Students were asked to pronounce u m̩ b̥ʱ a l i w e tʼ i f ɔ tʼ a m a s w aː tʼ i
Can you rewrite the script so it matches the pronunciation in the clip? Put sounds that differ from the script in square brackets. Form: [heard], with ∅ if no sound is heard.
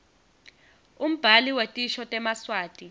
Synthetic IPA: u m̩ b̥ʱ a l i w e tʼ i [ʃ] ɔ tʼ [ɛ] m a s w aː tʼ i